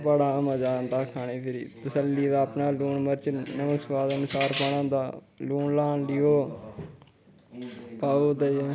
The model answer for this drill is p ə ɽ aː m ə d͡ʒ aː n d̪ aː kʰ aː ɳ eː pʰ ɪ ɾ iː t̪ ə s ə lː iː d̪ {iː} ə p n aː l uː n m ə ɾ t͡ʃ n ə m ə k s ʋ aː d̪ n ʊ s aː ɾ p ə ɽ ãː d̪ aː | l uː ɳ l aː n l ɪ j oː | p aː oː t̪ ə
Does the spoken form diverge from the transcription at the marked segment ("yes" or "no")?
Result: yes